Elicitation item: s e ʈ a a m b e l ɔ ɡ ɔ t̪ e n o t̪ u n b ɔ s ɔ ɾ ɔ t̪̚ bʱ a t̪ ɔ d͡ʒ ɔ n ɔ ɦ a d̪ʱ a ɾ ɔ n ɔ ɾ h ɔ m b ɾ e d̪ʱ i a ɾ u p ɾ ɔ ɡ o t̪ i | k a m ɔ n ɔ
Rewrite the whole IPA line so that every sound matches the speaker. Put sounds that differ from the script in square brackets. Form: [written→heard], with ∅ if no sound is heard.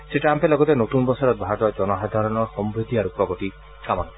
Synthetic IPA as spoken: s e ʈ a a m [b→p] e l ɔ ɡ ɔ t̪ e n o t̪ u n b ɔ s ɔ ɾ ɔ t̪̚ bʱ a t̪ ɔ d͡ʒ ɔ n ɔ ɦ a d̪ʱ a ɾ ɔ n ɔ ɾ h ɔ m b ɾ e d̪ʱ i a ɾ u p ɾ ɔ ɡ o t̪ i | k a m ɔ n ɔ